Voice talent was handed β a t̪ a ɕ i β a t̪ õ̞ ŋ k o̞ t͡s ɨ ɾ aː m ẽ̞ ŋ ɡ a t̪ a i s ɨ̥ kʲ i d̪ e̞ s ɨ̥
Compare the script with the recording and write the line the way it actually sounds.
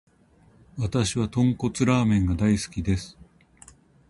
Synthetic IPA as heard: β a t̪ a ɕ i β a t̪ õ̞ ŋ k o̞ t͡s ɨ ɾ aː m ẽ̞ ŋ ɡ a d̪ a i s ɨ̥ kʲ i d̪ e̞ s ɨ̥